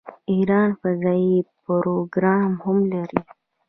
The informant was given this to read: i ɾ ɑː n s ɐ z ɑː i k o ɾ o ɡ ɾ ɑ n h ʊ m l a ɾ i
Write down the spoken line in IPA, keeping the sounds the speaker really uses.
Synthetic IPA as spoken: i ɾ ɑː n f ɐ z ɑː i p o ɾ o ɡ ɾ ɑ m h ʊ m l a ɾ i